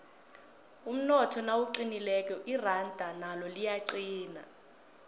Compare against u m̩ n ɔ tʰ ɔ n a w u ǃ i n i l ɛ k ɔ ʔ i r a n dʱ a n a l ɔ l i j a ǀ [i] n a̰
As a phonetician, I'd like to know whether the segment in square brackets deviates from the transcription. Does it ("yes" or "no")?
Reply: yes